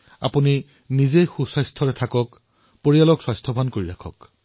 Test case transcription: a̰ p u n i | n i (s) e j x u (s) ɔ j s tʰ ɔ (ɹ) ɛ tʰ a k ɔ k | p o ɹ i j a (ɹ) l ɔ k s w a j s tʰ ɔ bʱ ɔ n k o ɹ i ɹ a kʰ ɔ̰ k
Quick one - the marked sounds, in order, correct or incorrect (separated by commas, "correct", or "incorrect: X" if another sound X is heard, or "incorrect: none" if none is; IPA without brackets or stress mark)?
incorrect: z, correct, correct, incorrect: none